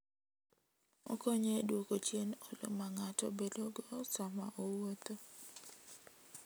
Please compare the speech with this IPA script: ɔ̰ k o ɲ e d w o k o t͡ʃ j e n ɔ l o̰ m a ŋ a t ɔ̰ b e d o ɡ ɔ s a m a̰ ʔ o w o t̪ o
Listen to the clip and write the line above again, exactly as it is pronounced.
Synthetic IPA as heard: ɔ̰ k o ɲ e d w o k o t͡ʃ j e n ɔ l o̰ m a ŋ a t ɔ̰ b e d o ɡ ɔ s a m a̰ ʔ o w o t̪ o